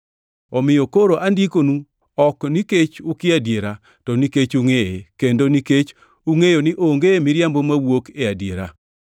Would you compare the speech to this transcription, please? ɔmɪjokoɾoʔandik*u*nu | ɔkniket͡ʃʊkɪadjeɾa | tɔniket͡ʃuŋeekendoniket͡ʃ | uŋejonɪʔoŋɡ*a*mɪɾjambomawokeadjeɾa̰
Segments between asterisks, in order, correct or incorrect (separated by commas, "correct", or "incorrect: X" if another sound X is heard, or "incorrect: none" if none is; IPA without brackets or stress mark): incorrect: o, incorrect: e